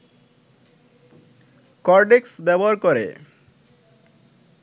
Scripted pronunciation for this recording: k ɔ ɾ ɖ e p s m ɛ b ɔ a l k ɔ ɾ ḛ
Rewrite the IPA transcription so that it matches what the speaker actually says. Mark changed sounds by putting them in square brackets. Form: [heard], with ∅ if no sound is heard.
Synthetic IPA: k ɔ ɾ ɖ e [k] s [b] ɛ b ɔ a [ɾ] k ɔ ɾ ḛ